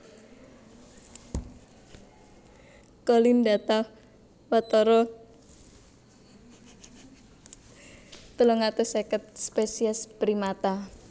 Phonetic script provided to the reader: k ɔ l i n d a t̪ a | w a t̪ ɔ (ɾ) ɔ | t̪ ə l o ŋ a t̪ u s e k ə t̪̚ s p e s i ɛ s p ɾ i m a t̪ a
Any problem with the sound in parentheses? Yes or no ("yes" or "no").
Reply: no